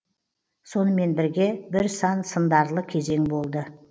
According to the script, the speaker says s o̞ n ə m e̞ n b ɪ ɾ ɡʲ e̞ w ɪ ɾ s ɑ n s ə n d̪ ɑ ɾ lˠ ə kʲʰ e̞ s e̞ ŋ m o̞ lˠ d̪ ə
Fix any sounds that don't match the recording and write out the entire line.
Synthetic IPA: s o̞ n ə m e̞ n b ɪ ɾ ɡʲ e̞ b ɪ ɾ s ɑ n s ə n d̪ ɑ ɾ lˠ ə kʲʰ e̞ z e̞ ŋ b o̞ lˠ d̪ ə